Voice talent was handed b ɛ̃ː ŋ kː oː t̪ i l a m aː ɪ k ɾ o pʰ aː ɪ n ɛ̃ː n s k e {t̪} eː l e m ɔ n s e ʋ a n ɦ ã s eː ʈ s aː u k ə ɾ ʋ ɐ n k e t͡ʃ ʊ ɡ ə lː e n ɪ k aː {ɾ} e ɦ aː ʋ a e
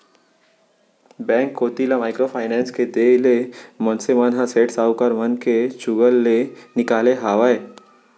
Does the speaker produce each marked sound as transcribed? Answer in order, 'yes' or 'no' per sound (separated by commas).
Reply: no, no